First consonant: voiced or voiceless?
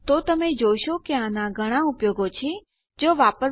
voiceless